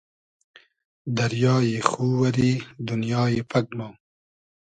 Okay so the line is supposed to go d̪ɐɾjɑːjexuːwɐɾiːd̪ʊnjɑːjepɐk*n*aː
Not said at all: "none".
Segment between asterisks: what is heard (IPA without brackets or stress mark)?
m